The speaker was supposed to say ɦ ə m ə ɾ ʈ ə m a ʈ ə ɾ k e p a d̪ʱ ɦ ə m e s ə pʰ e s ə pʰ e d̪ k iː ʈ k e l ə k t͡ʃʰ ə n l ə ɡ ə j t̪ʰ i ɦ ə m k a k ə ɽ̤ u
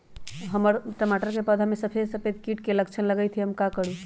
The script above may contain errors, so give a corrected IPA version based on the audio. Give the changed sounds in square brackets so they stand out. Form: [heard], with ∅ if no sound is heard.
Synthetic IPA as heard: ɦ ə m ə ɾ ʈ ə m a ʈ ə ɾ k e p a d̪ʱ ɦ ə m e s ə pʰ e s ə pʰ e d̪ k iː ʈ k e l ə k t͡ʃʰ ə n l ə ɡ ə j t̪ʰ i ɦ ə m k a k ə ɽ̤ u